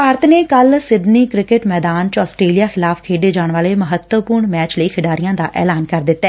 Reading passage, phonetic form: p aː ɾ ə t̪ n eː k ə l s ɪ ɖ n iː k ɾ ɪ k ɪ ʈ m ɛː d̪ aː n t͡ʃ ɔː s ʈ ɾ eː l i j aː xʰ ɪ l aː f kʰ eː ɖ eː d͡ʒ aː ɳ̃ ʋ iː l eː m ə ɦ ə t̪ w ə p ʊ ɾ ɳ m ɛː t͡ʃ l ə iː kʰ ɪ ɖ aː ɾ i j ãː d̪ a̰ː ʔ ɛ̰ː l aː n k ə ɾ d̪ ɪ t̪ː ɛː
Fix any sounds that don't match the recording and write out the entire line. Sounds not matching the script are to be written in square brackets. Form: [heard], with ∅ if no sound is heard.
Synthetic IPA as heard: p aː ɾ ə t̪ n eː k ə l s ɪ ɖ n iː k ɾ ɪ k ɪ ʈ m ɛː d̪ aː n t͡ʃ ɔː s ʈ ɾ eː l i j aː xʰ ɪ l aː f kʰ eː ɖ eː d͡ʒ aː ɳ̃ ʋ [aː] l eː m ə ɦ ə t̪ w ə p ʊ ɾ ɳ m ɛː t͡ʃ l ə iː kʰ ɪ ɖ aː ɾ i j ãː d̪ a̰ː ʔ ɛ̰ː l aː n k ə ɾ d̪ ɪ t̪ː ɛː